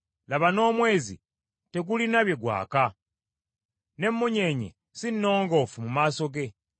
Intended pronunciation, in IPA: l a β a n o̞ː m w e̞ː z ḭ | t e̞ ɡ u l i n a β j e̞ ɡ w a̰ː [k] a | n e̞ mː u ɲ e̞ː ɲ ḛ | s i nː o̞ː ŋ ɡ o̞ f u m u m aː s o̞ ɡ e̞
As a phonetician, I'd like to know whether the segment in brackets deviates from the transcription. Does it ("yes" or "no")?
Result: no